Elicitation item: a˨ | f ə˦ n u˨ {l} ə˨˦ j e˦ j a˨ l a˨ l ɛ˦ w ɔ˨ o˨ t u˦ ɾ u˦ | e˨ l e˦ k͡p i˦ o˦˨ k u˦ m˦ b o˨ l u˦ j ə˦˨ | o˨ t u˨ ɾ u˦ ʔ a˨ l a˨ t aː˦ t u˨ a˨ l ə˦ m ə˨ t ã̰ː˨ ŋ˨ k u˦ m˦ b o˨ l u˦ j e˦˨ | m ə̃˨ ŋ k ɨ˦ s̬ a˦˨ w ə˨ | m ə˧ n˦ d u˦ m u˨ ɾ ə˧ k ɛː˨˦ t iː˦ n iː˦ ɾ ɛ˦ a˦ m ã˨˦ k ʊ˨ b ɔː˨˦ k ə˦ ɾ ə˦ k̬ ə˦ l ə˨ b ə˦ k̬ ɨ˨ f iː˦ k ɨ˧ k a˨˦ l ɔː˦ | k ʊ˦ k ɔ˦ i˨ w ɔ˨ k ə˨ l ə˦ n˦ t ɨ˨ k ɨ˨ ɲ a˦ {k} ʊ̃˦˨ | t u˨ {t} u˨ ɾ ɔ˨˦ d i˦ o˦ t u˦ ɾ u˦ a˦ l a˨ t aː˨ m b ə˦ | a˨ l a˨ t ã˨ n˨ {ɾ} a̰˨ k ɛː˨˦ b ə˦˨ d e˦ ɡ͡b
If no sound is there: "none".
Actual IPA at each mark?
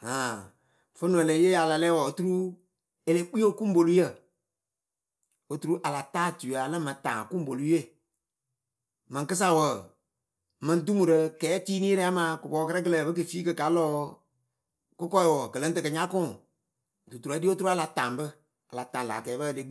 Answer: l, k, t, l

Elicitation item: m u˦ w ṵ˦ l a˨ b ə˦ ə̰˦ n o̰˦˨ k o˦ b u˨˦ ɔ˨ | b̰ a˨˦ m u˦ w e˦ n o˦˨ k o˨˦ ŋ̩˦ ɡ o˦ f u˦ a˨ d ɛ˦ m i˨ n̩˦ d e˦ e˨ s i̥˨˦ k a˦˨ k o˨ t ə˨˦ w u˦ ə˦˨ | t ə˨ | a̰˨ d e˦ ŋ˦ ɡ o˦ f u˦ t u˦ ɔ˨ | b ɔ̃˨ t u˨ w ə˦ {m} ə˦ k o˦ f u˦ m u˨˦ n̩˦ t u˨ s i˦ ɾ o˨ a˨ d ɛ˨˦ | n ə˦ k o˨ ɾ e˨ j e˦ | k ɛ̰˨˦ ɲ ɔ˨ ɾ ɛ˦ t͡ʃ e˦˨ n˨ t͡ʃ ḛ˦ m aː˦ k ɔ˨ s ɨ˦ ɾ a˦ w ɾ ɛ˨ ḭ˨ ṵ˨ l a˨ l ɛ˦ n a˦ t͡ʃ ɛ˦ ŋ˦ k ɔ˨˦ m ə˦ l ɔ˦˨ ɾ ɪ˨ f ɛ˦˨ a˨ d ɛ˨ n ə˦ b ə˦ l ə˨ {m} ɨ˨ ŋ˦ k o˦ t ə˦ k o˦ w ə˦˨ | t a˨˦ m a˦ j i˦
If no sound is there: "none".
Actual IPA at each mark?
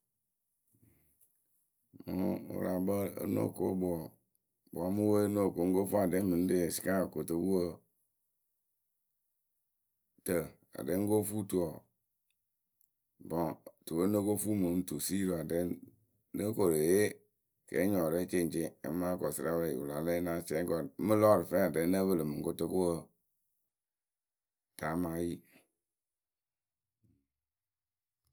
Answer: n, m

